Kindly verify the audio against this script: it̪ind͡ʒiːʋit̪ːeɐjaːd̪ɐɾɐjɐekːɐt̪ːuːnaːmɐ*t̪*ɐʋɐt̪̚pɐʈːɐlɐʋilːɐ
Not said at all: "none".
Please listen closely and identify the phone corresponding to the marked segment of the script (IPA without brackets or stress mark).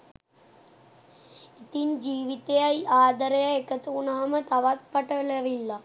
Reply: t̪